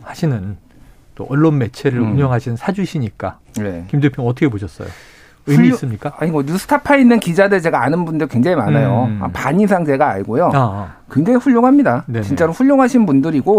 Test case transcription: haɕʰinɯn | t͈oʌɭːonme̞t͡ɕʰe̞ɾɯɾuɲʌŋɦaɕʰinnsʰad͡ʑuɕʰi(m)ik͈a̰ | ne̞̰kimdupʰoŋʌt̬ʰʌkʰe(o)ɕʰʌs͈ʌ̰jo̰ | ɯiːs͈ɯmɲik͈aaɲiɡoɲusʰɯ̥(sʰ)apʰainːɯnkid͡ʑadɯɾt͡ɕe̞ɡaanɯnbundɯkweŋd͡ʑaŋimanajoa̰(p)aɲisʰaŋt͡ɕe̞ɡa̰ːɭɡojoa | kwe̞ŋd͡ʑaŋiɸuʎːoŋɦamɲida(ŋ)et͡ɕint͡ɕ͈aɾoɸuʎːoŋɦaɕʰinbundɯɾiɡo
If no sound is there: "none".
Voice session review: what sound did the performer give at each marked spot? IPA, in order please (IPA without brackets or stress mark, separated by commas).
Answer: ɲ, o, tʰ, p, n